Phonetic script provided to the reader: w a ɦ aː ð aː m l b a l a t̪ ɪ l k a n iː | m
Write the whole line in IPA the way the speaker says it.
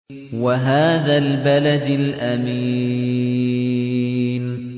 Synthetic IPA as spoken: w a ɦ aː ð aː l b a l a d̪ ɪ l ʔ a m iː | n